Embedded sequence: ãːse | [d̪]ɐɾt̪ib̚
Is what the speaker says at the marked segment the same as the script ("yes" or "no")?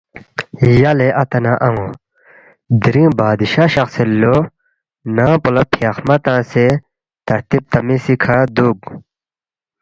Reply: no